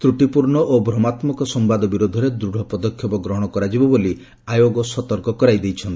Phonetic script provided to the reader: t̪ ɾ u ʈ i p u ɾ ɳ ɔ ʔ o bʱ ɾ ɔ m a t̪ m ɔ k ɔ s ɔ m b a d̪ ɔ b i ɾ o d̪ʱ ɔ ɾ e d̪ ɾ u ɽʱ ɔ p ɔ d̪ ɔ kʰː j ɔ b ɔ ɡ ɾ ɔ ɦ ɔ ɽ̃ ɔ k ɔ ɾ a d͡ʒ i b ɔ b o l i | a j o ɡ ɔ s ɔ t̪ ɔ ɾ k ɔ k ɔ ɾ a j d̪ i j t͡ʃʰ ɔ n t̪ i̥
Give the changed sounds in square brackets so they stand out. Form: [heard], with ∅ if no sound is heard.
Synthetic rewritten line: t̪ ɾ u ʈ i p u ɾ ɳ ɔ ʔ o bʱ ɾ ɔ m a t̪ m ɔ k ɔ s ɔ m b a d̪ ɔ b i ɾ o d̪ʱ ɔ ɾ e d̪ ɾ u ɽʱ ɔ p ɔ d̪ ɔ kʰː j ɔ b ɔ ɡ ɾ ɔ ɦ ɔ ɽ̃ ɔ k ɔ ɾ a d͡ʒ i b ɔ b o l i | a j o ɡ ɔ s ɔ t̪ ɔ ɾ k ɔ k ɔ ɾ a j d̪ [e] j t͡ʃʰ ɔ n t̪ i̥